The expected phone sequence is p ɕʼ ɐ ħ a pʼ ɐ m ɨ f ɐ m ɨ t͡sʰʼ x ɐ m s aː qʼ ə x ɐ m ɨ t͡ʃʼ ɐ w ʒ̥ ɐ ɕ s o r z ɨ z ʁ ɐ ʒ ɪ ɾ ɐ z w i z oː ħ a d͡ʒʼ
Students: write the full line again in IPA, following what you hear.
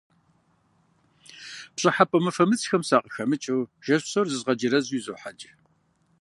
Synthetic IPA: p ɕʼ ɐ ħ a pʼ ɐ m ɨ f ɐ m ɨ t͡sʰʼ x ɐ m s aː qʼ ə x ɐ m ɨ t͡ʃʼ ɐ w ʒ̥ ɐ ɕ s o r z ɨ z ʁ ɐ d͡ʒ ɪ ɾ ɐ z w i z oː ħ a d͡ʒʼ